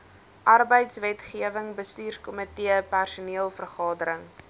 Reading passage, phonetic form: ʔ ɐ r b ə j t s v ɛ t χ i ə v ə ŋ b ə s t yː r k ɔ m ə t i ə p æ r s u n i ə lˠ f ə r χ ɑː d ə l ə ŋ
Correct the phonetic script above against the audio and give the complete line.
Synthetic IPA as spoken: ʔ ɐ r b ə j t s v ɛ t χ i ə v ə ŋ b ə s t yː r k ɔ m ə t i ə p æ r s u n i ə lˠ f ə r χ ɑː d ə ɾ ə ŋ